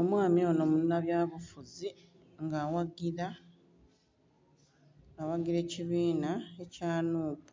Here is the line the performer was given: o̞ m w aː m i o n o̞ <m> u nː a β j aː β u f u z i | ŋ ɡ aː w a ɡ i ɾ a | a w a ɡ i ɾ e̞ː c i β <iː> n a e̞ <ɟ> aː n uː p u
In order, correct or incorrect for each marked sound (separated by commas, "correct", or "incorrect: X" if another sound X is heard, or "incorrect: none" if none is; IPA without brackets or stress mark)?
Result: correct, correct, incorrect: c